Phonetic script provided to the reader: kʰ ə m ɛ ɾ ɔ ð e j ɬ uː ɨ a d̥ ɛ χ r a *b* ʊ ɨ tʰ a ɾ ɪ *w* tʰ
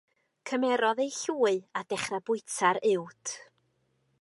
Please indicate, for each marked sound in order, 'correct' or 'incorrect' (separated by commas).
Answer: correct, correct